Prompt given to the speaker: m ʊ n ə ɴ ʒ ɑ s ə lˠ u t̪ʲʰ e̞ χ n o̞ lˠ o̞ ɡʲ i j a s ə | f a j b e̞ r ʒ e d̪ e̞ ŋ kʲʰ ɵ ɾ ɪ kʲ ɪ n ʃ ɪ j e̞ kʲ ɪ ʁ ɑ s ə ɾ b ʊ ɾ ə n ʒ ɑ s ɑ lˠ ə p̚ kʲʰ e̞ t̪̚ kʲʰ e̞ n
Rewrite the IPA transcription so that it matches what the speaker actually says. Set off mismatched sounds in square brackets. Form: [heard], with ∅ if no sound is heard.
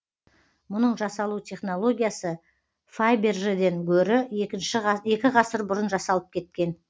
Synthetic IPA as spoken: m ʊ n ə ɴ ʒ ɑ s [ɑ] lˠ u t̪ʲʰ e̞ χ n o̞ lˠ o̞ ɡʲ i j a s ə | f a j b e̞ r ʒ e d̪ e̞ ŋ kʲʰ ɵ ɾ ɪ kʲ ɪ n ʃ ɪ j e̞ kʲ ɪ ʁ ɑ s ə ɾ b ʊ ɾ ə n ʒ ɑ s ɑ lˠ ə p̚ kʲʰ e̞ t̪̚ [kʲ] e̞ n